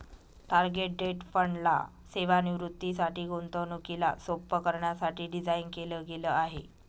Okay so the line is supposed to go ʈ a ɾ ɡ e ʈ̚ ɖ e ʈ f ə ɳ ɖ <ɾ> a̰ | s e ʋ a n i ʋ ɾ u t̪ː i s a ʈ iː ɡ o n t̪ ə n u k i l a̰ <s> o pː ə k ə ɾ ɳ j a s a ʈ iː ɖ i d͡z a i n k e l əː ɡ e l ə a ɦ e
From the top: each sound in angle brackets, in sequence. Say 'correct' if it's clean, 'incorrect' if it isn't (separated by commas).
incorrect, correct